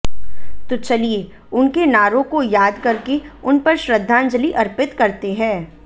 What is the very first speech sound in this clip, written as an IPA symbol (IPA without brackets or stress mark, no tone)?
t̪